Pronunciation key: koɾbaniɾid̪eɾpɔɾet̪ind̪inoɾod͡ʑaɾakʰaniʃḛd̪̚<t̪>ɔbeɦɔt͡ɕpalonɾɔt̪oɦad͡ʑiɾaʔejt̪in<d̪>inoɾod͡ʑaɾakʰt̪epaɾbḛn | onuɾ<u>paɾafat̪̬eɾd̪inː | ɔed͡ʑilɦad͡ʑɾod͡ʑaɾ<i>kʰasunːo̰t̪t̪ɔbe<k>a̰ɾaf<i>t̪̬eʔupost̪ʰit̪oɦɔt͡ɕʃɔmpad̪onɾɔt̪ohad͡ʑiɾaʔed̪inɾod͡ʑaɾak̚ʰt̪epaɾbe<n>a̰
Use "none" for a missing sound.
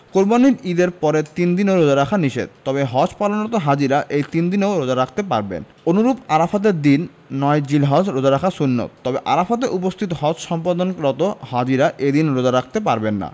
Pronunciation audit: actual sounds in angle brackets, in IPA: t̪, d̪, u, a, ʔ, a, nː

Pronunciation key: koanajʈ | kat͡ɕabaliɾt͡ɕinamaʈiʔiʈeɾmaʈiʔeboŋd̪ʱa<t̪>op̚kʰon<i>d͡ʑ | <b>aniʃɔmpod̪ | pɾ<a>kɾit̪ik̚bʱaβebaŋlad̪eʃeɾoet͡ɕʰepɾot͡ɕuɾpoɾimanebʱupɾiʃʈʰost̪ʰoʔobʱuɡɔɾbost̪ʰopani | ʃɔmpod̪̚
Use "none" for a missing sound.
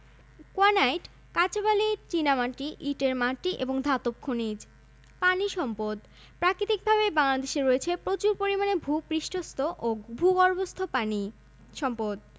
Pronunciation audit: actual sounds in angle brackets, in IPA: t̪, i, p, a

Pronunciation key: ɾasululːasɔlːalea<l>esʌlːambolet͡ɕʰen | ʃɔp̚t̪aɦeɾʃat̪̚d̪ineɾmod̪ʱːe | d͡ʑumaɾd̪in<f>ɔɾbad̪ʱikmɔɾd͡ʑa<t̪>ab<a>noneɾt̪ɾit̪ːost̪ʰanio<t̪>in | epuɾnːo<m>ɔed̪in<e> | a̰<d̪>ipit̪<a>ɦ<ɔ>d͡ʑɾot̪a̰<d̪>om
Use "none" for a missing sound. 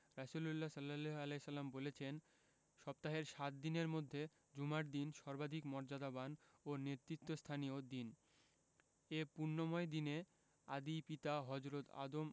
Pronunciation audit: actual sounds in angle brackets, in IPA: l, ʃ, d̪, a, d̪, m, e, d̪, a, ɔ, d̪

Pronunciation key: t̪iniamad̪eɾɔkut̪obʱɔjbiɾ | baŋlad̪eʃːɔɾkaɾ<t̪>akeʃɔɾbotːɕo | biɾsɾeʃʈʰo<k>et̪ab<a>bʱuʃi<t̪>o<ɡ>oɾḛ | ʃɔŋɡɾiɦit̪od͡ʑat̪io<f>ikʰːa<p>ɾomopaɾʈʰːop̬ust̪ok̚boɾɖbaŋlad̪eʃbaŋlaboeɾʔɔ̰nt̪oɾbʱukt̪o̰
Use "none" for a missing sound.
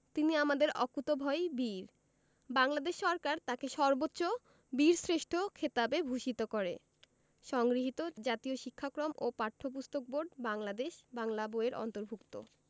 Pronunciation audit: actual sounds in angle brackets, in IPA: t̪, kʰ, e, t̪, k, ʃ, k

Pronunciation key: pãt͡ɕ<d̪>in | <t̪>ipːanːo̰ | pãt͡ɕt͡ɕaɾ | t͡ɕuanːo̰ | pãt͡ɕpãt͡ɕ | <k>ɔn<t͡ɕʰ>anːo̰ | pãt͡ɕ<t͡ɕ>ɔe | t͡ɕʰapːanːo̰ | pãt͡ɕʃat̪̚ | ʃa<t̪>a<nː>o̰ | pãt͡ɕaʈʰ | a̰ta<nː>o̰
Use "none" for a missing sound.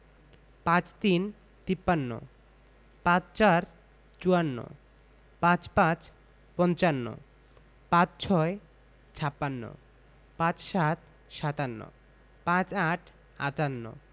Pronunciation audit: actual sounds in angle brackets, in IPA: t̪, t̪, p, t͡ɕ, t͡ɕʰ, t̪, nː, nː

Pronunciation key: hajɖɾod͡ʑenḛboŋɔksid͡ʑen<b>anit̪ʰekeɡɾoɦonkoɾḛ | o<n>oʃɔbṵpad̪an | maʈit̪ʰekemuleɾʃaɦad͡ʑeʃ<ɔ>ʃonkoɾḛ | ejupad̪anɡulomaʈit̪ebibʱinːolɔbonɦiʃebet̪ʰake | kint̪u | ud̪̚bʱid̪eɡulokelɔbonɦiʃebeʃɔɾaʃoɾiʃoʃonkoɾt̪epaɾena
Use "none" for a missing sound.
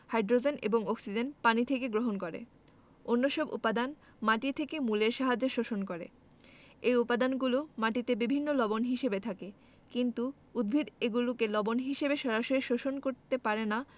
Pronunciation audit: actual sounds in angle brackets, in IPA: p, nː, o

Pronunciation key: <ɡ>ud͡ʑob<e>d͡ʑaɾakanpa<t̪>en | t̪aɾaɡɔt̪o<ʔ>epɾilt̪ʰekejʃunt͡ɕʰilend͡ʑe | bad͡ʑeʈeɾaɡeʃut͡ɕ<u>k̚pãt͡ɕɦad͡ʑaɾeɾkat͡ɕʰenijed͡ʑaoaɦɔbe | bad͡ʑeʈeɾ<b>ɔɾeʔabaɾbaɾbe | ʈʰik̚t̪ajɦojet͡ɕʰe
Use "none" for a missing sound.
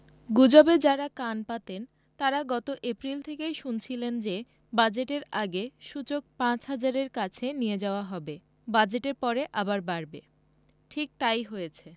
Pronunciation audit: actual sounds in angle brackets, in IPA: ɡ, e, t̪, ʔ, o, p

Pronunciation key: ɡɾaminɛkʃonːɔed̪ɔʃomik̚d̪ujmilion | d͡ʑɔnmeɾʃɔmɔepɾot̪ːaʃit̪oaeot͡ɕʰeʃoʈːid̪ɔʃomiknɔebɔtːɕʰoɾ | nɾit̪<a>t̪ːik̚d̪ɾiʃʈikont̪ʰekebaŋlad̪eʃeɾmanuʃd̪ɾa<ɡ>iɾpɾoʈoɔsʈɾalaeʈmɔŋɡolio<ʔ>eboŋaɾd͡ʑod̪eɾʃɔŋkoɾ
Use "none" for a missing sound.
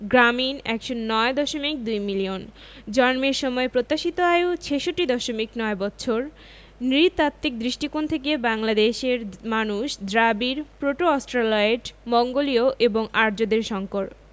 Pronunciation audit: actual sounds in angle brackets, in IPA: a, b, ʔ

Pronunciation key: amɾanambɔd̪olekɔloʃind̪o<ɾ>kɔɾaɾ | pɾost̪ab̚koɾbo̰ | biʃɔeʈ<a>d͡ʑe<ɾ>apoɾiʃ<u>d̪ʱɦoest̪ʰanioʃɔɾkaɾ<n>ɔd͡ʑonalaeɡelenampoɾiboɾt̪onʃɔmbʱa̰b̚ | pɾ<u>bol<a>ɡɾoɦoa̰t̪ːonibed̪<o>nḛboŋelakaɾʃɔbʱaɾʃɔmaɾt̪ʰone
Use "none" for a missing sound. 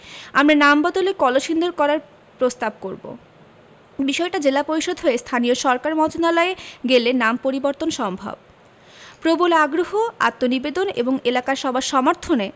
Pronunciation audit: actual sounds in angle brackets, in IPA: ɾ, a, l, o, m, o, a, o

